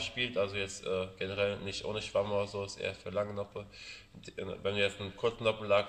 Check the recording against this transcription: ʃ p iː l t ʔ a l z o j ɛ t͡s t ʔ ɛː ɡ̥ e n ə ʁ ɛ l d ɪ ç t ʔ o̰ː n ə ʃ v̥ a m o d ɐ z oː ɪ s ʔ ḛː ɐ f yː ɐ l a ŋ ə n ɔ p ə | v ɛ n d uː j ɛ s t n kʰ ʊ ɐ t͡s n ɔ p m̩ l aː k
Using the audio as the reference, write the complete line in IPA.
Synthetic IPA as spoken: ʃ p iː l t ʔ a l z o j ɛ t͡s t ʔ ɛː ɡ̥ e n ə ʁ ɛ l n ɪ ç t ʔ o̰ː n ə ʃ v̥ a m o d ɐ z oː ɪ s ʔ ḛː ɐ f yː ɐ l a ŋ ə n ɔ p ə | v ɛ n d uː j ɛ t͡s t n kʰ ʊ ɐ t͡s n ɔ p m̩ l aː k

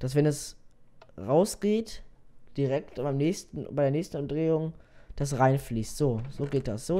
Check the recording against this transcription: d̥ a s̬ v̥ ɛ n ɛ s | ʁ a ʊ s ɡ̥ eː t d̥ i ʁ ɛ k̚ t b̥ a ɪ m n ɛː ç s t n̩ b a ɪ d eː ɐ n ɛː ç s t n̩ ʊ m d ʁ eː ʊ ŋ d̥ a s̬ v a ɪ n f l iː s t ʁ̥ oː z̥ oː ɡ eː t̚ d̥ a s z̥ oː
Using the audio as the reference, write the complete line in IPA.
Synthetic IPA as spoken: d̥ a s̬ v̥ ɛ n ɛ s | ʁ a ʊ s ɡ̥ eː t d̥ i ʁ ɛ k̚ t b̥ a ɪ m n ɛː ç s t n̩ b a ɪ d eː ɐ n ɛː ç s t n̩ ʊ m d ʁ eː ʊ ŋ d̥ a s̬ ʁ a ɪ n f l iː s t z̥ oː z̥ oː ɡ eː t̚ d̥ a s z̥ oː

